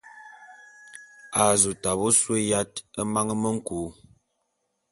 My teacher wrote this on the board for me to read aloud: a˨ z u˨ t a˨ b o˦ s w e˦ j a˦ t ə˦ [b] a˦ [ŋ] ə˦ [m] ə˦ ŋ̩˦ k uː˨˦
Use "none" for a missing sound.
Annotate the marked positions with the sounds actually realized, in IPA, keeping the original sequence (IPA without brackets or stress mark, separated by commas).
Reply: m, ŋ, m